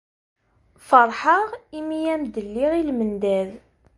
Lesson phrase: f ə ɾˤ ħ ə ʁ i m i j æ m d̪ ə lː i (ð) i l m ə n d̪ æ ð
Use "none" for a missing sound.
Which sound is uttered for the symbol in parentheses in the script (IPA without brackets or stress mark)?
ʁ